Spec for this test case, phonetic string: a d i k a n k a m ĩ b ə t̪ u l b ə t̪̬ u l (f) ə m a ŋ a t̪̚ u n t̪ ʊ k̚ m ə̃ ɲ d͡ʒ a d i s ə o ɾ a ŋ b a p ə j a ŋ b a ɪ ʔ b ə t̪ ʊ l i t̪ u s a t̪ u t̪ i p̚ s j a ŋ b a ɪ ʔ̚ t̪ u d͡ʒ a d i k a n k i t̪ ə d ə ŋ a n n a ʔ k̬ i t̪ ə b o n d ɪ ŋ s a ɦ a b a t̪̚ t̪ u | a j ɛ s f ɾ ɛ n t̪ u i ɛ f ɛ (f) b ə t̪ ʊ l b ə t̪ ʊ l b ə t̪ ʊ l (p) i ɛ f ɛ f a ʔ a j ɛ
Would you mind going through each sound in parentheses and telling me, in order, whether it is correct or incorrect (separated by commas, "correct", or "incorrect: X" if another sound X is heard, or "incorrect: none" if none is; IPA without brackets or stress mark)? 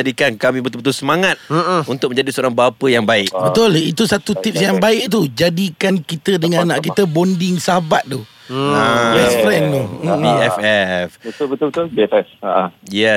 incorrect: s, correct, incorrect: b